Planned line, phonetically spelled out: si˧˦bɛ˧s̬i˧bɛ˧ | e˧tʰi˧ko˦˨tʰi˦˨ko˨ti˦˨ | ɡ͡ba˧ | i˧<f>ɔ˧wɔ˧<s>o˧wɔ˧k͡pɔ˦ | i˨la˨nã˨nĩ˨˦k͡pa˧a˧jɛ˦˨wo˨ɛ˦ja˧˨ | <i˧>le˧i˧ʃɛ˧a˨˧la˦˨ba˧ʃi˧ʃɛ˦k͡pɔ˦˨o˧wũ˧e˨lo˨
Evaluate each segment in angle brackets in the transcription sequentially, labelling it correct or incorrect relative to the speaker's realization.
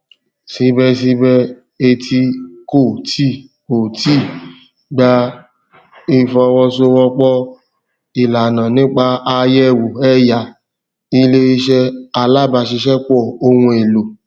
correct, correct, correct

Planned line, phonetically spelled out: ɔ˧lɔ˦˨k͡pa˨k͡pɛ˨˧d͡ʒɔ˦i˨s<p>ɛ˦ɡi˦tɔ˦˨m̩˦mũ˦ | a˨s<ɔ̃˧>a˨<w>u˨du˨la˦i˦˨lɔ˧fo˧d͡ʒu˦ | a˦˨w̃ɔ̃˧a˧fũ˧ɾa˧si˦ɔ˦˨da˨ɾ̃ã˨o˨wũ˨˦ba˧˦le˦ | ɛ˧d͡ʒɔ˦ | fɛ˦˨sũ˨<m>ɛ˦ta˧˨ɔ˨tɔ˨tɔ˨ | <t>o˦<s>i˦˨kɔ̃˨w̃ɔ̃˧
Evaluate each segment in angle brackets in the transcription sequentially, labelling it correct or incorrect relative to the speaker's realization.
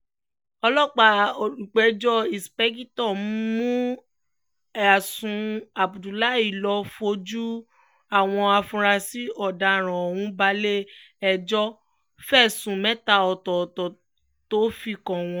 correct, incorrect: ũ˧, incorrect: b, correct, correct, incorrect: f

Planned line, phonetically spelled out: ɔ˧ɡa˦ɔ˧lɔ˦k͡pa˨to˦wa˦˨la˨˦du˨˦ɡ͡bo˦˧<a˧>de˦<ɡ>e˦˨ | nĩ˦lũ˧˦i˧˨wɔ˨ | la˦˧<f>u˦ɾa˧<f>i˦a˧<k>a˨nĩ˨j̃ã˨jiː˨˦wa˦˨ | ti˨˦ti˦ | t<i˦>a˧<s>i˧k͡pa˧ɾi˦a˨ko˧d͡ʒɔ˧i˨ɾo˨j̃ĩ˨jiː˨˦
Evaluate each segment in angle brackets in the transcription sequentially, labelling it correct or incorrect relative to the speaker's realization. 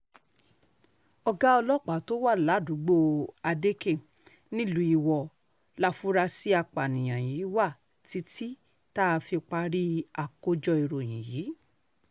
correct, incorrect: k, correct, incorrect: s, incorrect: k͡p, incorrect: a˦, incorrect: f

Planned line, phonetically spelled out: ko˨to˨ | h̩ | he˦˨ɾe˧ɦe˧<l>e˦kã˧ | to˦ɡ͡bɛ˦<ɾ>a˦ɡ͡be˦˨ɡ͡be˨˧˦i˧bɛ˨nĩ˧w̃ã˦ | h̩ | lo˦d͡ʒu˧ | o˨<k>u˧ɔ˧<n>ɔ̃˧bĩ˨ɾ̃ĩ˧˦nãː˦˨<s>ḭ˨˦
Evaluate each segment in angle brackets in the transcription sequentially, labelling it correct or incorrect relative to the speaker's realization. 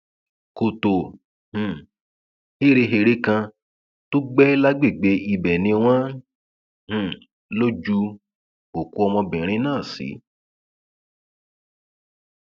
incorrect: ɾ, incorrect: l, correct, incorrect: m, correct

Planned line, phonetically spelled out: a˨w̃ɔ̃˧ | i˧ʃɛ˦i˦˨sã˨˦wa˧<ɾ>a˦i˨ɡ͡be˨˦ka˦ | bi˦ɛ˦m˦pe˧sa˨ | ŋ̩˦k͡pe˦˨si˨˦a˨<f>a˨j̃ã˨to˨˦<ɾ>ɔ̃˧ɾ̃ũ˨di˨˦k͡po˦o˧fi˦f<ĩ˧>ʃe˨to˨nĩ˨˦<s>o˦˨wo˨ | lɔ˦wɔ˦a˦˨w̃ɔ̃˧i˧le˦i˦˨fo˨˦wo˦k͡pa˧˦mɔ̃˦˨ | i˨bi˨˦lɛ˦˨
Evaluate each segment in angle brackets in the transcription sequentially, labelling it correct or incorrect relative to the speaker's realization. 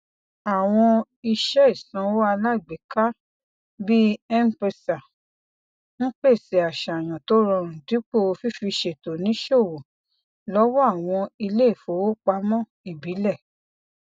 incorrect: l, incorrect: ʃ, correct, incorrect: i˧, incorrect: ʃ

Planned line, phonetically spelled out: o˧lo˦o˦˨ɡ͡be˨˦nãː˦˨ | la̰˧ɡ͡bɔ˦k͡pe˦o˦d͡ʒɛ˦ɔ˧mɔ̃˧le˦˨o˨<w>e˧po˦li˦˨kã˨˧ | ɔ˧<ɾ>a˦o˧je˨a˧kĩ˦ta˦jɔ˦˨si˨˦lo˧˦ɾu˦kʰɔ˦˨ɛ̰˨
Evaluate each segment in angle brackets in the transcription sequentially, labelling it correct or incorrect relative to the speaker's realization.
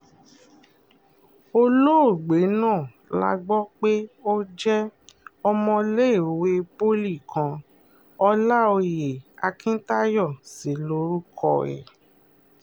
correct, incorrect: l

